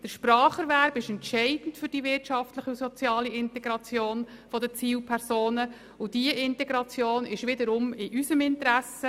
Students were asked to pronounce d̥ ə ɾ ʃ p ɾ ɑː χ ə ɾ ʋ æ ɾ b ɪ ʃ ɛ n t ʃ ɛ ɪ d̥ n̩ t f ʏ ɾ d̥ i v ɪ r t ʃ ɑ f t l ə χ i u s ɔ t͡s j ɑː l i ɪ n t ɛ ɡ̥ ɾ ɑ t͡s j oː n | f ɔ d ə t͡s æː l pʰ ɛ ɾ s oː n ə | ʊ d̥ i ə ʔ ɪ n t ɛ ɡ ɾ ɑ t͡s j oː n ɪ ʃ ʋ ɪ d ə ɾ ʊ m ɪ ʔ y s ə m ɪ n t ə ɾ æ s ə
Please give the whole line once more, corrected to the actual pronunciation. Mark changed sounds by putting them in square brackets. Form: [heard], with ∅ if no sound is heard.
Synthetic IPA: d̥ ə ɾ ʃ p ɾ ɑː χ ə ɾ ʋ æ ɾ b ɪ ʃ ɛ n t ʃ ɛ ɪ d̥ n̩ t f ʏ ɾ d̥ i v ɪ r t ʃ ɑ f t l ə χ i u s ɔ t͡s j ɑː l i ɪ n t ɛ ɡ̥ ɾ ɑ t͡s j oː n | f ɔ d ə t͡s [iː] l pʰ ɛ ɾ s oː n ə | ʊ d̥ i ə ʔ ɪ n t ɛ ɡ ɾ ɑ t͡s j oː n ɪ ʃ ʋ ɪ d ə ɾ ʊ m ɪ ʔ y s ə m ɪ n t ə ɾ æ s ə